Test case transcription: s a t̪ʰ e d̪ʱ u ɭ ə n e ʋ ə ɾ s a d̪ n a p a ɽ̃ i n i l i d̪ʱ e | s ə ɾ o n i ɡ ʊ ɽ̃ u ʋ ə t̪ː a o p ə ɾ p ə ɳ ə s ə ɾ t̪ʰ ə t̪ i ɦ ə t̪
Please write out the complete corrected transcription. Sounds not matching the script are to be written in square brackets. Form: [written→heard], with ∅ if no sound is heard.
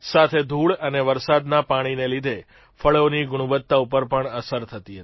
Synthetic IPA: s a t̪ʰ e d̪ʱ u ɭ ə n e ʋ ə ɾ s a d̪ n a p a ɽ̃ i n [i→e] l i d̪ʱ e | [s→f] ə [ɾ→ɭ] o n i ɡ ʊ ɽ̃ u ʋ ə t̪ː a [o→u] p ə ɾ p ə ɳ ə s ə ɾ t̪ʰ ə t̪ i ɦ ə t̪

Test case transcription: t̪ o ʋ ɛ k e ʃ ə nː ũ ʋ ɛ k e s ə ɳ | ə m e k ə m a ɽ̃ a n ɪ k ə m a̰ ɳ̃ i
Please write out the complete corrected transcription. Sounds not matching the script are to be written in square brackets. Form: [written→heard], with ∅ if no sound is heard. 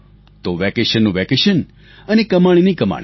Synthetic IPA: t̪ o ʋ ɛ k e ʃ ə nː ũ ʋ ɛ k e [s→ʃ] ə [ɳ→n] | ə [m→n] e k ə m a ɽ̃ [a→i] n [ɪ→i] k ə m a̰ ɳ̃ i

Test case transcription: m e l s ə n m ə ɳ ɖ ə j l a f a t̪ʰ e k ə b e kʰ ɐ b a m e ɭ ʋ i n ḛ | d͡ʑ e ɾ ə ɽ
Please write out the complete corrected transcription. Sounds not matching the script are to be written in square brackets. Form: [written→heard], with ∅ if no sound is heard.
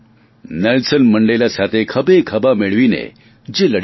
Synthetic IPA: [m→n] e l s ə n m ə ɳ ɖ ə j l a [f→s] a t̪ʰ e [k→kʰ] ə b e kʰ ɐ b a m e ɭ ʋ i n ḛ | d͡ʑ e [ɾ→l] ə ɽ

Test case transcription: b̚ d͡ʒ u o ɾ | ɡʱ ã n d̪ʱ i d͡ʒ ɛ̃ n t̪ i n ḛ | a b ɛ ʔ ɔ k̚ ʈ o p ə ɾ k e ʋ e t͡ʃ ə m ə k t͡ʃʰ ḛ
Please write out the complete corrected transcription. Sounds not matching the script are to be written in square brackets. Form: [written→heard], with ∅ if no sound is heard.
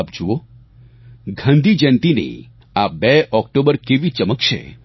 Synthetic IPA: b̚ d͡ʒ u o [ɾ→∅] | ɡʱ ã n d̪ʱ i d͡ʒ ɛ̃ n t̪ i n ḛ | a b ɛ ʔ ɔ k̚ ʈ o [p→b] ə ɾ k e ʋ [e→i] t͡ʃ ə m ə k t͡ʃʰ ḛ

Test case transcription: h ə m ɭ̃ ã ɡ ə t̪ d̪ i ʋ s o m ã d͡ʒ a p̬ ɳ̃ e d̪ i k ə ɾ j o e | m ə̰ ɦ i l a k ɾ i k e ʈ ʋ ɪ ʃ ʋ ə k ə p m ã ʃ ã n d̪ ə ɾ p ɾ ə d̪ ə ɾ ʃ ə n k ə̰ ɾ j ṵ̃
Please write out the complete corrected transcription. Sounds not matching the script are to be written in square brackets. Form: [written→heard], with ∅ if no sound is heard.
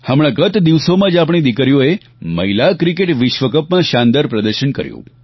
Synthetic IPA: h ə m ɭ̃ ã ɡ ə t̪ d̪ i ʋ s o m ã d͡ʒ a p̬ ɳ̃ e d̪ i k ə ɾ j o e | m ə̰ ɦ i l a k ɾ i k e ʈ ʋ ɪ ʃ ʋ ə k ə p m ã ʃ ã n d̪ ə ɾ p ɾ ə d̪ ə ɾ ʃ ə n k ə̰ ɾ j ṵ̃

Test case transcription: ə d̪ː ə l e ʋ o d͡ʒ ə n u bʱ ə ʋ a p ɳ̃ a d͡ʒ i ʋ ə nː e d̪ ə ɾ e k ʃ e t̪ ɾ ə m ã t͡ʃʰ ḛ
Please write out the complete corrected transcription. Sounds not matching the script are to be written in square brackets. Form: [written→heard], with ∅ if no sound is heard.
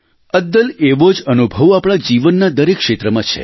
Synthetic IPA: ə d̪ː ə l e ʋ o d͡ʒ ə n u bʱ ə ʋ a p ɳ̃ a d͡ʒ i ʋ ə nː [e→a] d̪ ə ɾ e k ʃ e t̪ ɾ ə m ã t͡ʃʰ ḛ

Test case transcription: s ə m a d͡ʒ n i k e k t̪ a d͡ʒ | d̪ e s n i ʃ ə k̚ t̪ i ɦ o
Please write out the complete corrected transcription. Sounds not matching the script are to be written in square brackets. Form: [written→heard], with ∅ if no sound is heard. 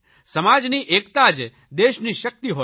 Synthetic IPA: s ə m a d͡ʒ n i [k→ʔ] e k t̪ a d͡ʒ | d̪ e [s→ʃ] n i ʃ ə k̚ t̪ i ɦ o

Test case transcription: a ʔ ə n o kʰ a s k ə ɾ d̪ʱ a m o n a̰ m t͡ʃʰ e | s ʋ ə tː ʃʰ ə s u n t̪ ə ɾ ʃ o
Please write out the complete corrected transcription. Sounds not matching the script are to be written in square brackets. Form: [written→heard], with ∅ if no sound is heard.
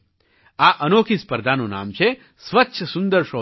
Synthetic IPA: a ʔ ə n o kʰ [a→i] s [k→p] ə ɾ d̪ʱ a [m→n] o n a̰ m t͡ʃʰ e | s ʋ ə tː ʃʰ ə s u n [t̪→d̪] ə ɾ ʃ o

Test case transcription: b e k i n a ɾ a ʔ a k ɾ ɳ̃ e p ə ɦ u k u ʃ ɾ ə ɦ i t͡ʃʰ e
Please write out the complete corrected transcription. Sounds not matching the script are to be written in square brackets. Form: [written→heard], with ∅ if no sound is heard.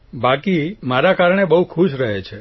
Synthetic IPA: b [e→a] k i [n→m] a ɾ a [ʔ→k] a [k→∅] ɾ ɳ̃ e [p→b] ə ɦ u [k→kʰ] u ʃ ɾ ə ɦ [i→e] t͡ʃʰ e

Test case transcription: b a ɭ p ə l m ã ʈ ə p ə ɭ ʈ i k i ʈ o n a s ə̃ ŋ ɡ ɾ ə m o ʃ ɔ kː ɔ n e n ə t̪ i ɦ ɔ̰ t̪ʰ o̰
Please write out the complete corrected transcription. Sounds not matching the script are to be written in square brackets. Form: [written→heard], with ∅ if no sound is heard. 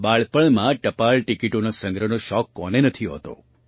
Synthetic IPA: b a ɭ p ə [l→ɭ] m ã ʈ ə p [ə→a] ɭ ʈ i k i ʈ o n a s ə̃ ŋ ɡ ɾ ə [m→n] o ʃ ɔ kː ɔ n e n ə [t̪→t̪ʰ] i ɦ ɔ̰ [t̪ʰ→t̪] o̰

